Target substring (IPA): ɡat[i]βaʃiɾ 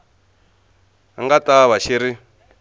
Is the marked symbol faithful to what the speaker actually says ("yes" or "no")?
no